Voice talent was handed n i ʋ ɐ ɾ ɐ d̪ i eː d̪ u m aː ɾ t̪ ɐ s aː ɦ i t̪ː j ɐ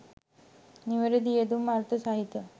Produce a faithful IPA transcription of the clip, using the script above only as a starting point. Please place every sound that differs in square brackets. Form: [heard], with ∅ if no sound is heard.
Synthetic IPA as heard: n i ʋ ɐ ɾ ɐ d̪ i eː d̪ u m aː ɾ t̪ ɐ s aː ɦ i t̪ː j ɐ